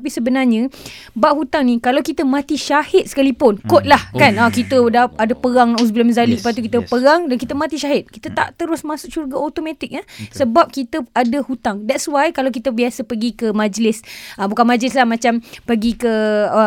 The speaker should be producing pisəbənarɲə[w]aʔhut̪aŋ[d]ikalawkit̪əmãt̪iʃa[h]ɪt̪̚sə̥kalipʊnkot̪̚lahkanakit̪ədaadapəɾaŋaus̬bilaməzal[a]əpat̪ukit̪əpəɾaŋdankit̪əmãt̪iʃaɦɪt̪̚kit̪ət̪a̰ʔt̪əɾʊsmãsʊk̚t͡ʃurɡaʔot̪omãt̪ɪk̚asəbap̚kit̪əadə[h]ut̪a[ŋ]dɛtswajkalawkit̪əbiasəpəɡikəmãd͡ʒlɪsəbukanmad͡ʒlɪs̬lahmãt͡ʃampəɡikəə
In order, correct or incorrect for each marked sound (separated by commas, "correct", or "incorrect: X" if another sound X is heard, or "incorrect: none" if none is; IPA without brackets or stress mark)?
incorrect: b, incorrect: n, correct, incorrect: i, correct, correct